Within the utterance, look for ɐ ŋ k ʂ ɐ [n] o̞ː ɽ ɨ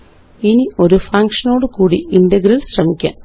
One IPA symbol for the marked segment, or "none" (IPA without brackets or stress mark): n